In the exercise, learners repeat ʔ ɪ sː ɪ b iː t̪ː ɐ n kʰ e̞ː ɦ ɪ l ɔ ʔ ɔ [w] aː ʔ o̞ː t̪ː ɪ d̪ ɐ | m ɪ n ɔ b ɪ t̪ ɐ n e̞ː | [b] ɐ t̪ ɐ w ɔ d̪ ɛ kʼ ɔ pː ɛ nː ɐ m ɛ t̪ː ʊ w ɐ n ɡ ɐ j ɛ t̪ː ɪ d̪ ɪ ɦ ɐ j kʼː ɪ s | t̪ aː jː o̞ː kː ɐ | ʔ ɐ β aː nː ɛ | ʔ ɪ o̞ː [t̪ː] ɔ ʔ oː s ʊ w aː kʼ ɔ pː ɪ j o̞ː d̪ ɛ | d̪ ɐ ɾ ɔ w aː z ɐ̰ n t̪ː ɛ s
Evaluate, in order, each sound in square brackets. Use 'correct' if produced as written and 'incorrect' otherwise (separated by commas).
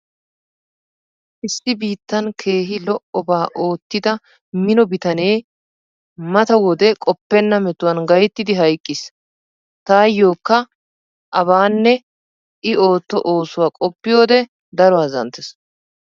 incorrect, incorrect, correct